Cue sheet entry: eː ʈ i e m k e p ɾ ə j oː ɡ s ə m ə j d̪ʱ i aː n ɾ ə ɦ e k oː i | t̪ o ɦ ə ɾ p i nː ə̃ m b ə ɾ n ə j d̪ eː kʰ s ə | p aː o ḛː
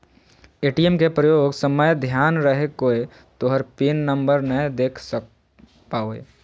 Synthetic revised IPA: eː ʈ i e m k e p ɾ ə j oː ɡ s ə m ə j d̪ʱ j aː n ɾ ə ɦ e k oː e | t̪ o ɦ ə ɾ p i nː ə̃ m b ə ɾ n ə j d̪ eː kʰ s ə | p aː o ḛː